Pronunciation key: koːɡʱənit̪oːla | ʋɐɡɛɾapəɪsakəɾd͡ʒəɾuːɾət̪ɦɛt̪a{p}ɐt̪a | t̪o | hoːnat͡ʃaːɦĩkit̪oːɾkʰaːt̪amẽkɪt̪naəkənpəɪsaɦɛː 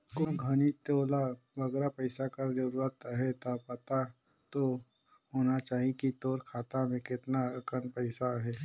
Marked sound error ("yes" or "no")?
no